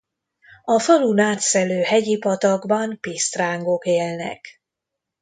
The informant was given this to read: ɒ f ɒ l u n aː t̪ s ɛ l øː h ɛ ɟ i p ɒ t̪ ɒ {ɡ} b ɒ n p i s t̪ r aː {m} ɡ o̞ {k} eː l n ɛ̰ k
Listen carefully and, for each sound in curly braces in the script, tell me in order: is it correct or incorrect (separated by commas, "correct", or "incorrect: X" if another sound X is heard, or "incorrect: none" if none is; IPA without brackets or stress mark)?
correct, incorrect: ŋ, correct